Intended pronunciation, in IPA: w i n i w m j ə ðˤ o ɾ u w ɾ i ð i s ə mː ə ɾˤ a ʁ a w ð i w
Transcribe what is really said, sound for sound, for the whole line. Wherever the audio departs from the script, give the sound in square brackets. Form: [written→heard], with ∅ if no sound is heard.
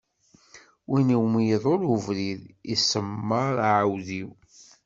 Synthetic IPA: w i n i w m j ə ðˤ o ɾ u [w→v] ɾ i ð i s ə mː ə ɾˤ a [ʁ→ʕ] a w ð i w